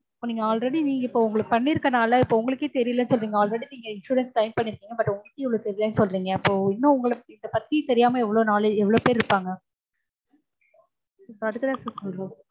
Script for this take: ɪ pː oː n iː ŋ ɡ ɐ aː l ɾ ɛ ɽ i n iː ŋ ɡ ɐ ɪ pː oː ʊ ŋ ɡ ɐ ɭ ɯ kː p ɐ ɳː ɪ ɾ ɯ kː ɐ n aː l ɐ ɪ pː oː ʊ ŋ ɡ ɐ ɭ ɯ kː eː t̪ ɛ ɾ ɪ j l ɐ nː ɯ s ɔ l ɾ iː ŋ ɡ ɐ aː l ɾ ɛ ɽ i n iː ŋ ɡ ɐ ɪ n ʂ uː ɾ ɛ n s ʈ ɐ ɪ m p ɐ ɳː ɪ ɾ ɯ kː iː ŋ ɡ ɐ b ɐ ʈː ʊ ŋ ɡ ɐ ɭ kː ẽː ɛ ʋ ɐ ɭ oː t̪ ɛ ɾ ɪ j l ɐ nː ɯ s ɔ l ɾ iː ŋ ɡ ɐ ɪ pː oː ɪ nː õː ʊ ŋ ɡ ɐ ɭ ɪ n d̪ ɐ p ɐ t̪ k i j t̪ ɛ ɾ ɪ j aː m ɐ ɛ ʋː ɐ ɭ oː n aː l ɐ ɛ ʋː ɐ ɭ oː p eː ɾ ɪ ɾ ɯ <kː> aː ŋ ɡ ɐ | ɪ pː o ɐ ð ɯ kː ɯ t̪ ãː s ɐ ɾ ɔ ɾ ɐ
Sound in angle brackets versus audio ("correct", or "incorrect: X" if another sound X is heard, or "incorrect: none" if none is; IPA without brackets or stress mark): incorrect: pː